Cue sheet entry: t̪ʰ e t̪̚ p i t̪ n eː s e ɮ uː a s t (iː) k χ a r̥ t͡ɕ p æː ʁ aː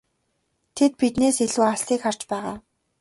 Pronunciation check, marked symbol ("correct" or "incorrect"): correct